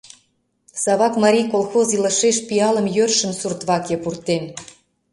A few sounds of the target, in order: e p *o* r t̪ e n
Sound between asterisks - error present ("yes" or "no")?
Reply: yes